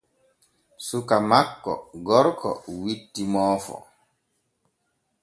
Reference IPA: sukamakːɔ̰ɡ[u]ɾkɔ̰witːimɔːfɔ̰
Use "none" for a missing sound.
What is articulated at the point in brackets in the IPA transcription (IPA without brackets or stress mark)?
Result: ɔ